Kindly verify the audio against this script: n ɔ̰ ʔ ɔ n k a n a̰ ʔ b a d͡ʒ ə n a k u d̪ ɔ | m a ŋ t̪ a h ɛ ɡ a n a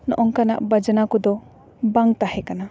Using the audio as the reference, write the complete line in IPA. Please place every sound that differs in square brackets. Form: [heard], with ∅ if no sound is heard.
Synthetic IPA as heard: n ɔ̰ ʔ ɔ [ŋ] k a n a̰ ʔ b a d͡ʒ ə n a k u d̪ ɔ | [b] a ŋ t̪ a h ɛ [k] a n a